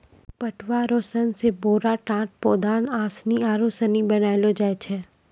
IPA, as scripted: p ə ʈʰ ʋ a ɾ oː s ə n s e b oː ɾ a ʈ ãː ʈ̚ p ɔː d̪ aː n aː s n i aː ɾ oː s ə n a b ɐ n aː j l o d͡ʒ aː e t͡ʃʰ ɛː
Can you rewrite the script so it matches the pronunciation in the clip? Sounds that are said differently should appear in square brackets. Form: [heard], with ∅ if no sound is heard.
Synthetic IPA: p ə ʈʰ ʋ a ɾ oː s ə n s e b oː ɾ a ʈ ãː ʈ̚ p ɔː d̪ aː n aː s n i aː ɾ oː s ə n [i] b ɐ n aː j l o d͡ʒ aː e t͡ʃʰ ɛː